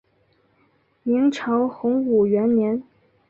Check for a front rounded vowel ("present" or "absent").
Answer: absent